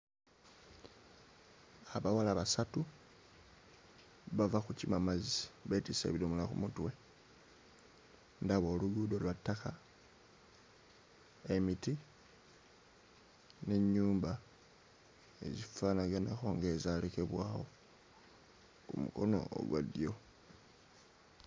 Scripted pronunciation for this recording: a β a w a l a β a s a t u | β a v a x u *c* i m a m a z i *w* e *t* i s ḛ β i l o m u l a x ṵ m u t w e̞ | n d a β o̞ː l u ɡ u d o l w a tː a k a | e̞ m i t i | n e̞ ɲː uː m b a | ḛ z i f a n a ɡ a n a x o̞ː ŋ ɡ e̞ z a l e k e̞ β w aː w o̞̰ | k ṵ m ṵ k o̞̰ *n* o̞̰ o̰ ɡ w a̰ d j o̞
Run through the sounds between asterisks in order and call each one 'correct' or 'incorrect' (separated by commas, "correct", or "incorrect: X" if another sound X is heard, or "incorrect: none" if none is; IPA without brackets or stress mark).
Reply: correct, incorrect: β, correct, correct